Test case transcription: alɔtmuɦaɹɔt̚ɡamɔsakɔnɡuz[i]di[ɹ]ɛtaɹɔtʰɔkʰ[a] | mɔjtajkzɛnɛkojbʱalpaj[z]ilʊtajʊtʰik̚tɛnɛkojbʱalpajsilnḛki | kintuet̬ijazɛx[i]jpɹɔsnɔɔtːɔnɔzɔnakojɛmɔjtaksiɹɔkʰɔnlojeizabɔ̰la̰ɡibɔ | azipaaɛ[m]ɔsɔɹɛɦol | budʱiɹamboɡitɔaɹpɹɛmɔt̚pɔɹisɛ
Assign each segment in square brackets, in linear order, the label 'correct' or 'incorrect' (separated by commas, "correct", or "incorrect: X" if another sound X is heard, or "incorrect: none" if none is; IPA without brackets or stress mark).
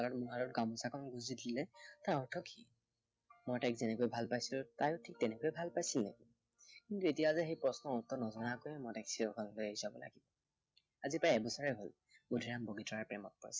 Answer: correct, incorrect: l, incorrect: i, incorrect: s, incorrect: e, incorrect: b